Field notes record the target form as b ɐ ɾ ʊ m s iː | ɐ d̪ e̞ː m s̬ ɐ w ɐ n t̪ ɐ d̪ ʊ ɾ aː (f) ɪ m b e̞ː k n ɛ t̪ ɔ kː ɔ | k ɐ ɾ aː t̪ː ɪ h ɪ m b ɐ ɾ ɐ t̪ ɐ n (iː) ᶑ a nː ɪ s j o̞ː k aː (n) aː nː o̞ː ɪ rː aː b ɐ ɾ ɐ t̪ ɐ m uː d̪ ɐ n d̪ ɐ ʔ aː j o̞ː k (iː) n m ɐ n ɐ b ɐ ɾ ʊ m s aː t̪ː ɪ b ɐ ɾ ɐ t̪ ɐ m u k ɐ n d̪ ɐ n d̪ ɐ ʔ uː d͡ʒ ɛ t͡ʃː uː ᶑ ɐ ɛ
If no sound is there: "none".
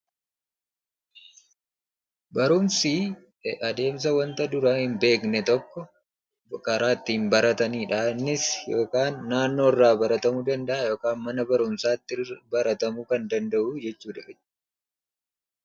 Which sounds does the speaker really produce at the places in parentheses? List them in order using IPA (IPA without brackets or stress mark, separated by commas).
h, iː, nː, aː